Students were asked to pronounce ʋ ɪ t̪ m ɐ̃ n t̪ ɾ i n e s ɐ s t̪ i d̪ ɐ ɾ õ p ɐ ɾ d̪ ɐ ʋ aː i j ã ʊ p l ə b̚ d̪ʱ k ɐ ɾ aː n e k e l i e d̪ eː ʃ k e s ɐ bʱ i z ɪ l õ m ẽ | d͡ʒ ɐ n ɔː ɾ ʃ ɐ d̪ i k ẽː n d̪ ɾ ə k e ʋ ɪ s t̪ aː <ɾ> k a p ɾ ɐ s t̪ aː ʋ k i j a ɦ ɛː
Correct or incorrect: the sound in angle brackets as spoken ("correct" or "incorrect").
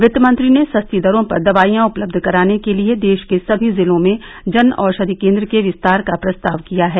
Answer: correct